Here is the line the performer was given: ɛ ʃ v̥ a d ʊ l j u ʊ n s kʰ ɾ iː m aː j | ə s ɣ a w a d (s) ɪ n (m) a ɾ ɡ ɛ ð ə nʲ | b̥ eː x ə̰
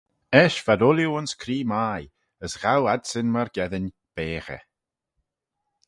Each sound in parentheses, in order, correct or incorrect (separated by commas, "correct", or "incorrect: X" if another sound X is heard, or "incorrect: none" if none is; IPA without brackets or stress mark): correct, correct